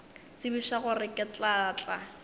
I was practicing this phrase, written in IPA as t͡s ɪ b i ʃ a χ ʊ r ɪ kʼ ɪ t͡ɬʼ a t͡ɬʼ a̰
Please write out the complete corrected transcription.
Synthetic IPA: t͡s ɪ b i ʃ a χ ʊ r ɪ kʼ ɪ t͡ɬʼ a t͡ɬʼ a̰